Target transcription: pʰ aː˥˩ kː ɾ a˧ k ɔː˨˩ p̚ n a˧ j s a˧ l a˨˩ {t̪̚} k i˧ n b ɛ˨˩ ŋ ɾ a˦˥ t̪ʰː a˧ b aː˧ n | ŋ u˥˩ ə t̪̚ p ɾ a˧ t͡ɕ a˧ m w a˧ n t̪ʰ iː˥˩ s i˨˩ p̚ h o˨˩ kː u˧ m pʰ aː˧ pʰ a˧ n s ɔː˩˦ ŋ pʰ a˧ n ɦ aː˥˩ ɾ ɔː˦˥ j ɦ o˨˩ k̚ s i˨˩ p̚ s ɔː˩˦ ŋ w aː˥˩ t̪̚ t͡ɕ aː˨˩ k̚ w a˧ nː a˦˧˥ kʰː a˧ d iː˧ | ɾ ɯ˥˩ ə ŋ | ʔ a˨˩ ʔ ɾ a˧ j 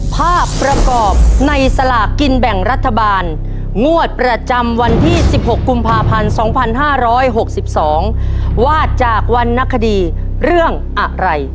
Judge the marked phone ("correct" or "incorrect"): incorrect